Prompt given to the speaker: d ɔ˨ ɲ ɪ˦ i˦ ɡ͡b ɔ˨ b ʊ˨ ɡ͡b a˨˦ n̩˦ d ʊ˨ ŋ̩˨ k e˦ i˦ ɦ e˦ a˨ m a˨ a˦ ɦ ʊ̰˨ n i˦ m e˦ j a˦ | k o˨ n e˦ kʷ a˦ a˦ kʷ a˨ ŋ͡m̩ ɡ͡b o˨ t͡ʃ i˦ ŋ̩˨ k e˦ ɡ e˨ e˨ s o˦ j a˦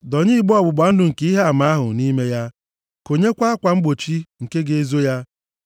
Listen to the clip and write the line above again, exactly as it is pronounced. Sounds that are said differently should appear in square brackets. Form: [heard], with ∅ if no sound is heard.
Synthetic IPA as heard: d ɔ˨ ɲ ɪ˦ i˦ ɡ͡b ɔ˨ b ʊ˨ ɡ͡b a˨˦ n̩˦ d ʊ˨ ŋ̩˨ k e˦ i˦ ɦ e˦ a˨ m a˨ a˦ ɦ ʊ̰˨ n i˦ m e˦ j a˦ | k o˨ [ɲ] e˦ kʷ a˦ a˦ kʷ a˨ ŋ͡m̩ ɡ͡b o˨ t͡ʃ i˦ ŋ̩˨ k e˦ ɡ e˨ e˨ [z] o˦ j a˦